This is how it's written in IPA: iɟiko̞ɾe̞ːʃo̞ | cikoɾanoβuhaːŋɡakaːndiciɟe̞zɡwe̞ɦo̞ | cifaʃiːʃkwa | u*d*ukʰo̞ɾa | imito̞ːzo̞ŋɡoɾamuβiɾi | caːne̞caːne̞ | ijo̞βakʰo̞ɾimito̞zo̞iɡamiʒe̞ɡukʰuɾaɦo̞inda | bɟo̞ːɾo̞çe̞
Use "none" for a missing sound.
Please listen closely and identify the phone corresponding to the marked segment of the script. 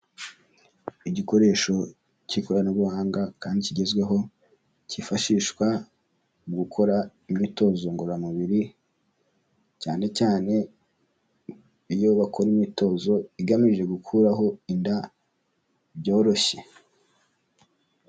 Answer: ɡ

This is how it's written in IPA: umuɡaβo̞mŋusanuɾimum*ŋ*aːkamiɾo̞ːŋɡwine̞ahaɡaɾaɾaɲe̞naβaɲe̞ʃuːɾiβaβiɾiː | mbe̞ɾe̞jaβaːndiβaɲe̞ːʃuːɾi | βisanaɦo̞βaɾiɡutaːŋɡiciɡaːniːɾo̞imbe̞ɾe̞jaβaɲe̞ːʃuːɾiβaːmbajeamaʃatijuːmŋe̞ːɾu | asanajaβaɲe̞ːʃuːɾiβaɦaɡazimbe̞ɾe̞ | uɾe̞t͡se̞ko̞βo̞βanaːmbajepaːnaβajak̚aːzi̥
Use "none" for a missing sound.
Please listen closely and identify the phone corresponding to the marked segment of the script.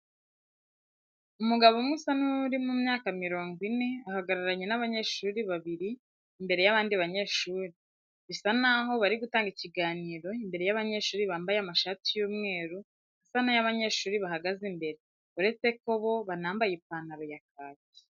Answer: ɲ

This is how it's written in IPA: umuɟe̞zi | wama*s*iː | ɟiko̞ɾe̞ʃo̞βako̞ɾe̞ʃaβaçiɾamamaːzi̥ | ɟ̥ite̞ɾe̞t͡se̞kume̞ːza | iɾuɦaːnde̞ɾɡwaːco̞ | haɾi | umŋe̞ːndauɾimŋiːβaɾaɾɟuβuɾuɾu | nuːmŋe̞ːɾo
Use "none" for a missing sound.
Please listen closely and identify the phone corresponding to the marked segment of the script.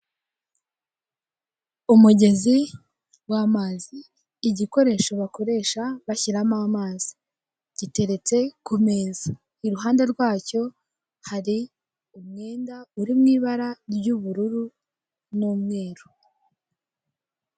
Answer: z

